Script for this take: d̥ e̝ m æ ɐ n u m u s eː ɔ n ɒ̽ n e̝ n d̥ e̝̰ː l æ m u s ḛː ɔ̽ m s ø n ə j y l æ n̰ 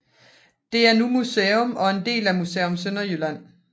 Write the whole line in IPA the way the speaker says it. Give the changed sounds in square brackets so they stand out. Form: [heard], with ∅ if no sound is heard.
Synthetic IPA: d̥ e̝ [∅] æ ɐ n u m u s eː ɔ [m] ɒ̽ [∅] e̝ n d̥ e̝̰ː l æ m u s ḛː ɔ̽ m s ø n [ɐ] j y l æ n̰